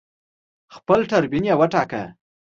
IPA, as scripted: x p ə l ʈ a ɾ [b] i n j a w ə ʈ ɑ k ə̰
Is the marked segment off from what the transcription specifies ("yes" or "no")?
no